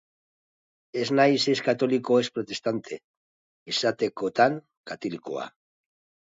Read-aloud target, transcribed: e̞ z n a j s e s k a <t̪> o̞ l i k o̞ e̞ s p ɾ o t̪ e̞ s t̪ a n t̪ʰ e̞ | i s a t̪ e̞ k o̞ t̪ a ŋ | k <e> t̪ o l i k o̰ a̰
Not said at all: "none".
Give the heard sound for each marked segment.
t̪, a

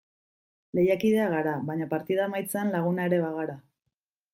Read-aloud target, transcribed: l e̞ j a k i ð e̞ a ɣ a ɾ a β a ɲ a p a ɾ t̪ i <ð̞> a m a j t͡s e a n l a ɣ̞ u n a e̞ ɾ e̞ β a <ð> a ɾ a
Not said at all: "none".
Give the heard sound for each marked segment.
ð̞, ɣ

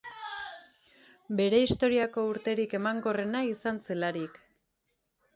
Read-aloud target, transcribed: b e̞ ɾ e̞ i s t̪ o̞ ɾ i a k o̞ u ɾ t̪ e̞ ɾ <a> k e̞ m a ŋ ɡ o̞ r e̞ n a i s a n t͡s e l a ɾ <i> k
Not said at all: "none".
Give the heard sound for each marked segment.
i, i

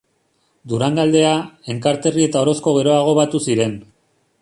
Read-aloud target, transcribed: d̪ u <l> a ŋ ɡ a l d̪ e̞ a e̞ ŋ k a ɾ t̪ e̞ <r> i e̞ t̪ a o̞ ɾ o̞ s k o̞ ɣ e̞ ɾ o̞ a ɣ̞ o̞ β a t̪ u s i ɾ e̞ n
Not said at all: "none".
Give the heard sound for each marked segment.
ɾ, r

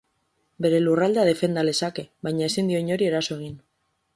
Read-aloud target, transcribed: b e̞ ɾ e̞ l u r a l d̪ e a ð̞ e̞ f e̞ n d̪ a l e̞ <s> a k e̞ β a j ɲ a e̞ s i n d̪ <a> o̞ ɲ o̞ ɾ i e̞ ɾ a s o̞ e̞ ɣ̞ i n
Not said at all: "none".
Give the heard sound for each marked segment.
s, i

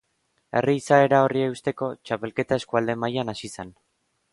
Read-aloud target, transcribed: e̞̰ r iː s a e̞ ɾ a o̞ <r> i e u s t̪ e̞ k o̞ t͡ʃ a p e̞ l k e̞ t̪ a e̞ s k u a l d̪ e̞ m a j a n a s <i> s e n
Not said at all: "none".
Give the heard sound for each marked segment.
r, i

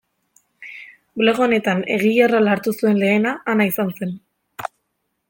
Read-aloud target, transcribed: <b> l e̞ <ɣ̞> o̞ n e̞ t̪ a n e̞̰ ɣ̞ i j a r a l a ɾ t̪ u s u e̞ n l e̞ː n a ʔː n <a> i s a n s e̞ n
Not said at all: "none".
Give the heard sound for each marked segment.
b, ɣ̞, a

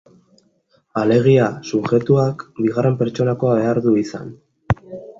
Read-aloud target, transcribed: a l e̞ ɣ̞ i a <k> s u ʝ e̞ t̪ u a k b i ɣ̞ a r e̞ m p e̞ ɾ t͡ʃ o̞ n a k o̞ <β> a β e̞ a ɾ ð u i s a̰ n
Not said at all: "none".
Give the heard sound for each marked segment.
none, none

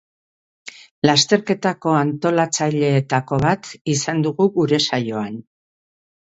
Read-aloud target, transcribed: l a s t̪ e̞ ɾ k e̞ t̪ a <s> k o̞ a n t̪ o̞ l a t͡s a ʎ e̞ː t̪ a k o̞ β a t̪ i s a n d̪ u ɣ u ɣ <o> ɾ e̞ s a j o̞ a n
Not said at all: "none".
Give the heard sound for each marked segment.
none, u

